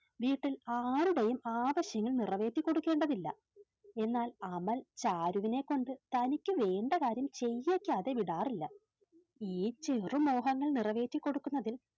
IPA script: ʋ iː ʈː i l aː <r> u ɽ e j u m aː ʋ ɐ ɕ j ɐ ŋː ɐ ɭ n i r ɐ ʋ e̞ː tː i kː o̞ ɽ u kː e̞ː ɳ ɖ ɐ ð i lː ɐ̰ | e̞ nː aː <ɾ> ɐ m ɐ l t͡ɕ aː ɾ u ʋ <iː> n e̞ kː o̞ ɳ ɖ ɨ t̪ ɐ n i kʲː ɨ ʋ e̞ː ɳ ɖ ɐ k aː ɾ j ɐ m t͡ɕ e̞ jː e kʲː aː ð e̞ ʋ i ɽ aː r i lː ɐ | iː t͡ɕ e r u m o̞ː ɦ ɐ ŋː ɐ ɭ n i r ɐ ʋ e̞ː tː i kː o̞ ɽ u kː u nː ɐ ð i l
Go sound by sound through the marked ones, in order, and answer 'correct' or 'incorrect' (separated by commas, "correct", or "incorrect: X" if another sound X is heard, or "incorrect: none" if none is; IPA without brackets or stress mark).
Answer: incorrect: ɾ, incorrect: l, incorrect: i